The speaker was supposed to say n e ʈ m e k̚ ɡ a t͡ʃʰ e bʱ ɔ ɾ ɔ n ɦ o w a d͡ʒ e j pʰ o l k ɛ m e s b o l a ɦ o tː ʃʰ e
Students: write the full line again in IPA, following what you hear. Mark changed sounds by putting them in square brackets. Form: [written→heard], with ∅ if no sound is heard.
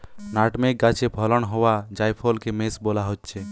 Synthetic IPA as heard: n [e→a] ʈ m e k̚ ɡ a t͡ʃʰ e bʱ ɔ [ɾ→l] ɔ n ɦ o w a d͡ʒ [e→a] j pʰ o l k [ɛ→e] m e s b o l a ɦ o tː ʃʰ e